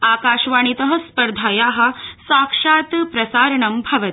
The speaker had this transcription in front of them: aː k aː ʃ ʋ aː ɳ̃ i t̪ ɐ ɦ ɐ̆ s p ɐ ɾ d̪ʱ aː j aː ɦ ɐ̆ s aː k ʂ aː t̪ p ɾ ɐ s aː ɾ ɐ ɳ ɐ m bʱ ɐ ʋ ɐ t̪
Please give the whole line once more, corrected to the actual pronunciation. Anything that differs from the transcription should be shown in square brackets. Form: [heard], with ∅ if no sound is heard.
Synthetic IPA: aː k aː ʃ ʋ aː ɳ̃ i t̪ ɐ ɦ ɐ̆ s p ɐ ɾ d̪ʱ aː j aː ɦ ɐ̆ s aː k ʂ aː t̪ p ɾ ɐ s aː ɾ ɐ ɳ ɐ m bʱ ɐ ʋ ɐ t̪

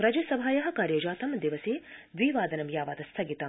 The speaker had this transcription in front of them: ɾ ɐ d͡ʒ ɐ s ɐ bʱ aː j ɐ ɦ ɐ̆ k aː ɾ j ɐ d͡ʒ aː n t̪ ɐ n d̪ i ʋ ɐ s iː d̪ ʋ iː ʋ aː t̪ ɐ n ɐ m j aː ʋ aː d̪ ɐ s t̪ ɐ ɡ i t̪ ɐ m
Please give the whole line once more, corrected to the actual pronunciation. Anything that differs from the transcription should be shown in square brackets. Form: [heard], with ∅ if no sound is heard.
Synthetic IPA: ɾ ɐ d͡ʒ ɐ s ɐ bʱ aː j ɐ ɦ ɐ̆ k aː ɾ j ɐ d͡ʒ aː [∅] t̪ ɐ [m] d̪ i ʋ ɐ s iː d̪ ʋ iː ʋ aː [d̪] ɐ n ɐ m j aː ʋ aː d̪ ɐ s [t̪ʰ] ɐ ɡ i t̪ ɐ m

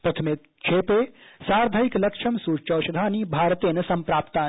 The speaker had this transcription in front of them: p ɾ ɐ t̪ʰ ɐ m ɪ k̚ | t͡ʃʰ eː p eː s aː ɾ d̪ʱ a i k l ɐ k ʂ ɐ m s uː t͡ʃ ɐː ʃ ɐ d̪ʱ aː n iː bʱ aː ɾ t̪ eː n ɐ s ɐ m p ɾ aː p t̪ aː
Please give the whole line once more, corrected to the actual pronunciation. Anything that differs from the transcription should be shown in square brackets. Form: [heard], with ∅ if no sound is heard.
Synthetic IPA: p ɾ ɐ t̪ʰ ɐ m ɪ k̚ | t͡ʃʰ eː p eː s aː ɾ d̪ʱ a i k l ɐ k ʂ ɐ m s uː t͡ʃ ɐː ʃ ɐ d̪ʱ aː n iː bʱ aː ɾ t̪ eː n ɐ s ɐ m p ɾ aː p t̪ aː

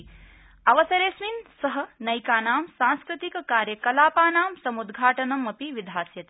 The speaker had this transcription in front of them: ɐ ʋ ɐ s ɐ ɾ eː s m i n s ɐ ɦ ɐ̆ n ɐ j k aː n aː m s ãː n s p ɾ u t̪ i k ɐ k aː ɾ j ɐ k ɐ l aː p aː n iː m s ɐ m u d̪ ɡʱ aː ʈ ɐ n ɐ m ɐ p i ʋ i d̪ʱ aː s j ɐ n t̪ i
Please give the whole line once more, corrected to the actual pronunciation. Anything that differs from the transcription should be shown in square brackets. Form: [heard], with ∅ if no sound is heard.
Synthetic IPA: ɐ ʋ ɐ s ɐ ɾ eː s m i n s ɐ ɦ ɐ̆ n ɐ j k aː n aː m s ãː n s [k] ɾ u t̪ i k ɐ k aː ɾ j ɐ k ɐ l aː p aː n [aː] m s ɐ m u d̪ ɡʱ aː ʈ ɐ n ɐ m ɐ p i ʋ i d̪ʱ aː s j ɐ [∅] t̪ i

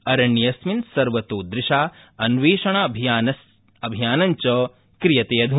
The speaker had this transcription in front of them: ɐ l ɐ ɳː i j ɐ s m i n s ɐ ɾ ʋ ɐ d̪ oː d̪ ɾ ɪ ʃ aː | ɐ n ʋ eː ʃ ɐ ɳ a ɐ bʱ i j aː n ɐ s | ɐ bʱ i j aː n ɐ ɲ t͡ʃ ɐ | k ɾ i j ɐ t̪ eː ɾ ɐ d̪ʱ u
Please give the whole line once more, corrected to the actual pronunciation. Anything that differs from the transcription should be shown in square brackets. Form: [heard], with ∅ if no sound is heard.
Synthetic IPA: ɐ [ɾ] ɐ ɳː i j ɐ s m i n s ɐ ɾ ʋ ɐ [t̪] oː d̪ ɾ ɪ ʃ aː | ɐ n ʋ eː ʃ ɐ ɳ a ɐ bʱ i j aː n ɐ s | ɐ bʱ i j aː n ɐ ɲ t͡ʃ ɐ | k ɾ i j ɐ t̪ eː [∅] ɐ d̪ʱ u

